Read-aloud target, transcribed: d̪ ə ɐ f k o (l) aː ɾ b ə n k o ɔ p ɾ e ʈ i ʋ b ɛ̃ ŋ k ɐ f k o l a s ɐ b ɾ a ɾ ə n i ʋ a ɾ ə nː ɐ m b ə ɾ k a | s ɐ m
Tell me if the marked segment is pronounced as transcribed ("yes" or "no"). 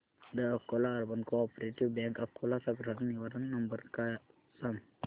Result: yes